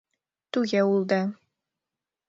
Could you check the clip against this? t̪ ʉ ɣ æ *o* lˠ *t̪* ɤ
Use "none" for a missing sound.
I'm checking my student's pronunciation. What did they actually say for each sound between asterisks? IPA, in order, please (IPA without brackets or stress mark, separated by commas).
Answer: u, d̪